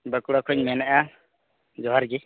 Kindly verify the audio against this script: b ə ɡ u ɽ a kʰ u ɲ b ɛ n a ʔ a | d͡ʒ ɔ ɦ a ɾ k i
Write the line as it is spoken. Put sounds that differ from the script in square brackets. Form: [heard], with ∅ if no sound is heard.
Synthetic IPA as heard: b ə [k] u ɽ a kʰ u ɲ [m] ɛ n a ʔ a | d͡ʒ ɔ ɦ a ɾ [ɡ] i